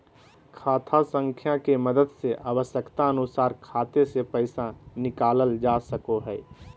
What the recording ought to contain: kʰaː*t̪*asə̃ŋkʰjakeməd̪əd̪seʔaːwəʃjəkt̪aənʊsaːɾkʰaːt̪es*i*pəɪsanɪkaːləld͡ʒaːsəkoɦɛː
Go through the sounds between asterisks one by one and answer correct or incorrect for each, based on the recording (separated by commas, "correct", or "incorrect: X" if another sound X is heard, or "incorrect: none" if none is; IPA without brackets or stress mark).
incorrect: t̪ʰ, incorrect: e